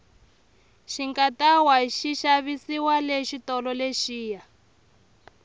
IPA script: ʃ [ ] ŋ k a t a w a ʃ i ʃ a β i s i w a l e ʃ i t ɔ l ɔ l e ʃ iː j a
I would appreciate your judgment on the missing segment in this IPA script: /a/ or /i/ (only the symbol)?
i